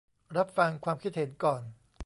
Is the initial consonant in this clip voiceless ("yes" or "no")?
no